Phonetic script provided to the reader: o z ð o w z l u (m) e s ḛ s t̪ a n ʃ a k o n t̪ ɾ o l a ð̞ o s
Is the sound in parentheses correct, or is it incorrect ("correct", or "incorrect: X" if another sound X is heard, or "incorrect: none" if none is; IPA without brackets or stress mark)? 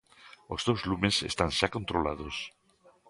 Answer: correct